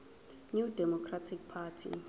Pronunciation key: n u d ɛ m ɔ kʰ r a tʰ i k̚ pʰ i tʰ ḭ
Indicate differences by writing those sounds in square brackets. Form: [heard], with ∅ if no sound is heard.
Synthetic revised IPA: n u d ɛ m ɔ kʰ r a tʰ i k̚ pʰ [a] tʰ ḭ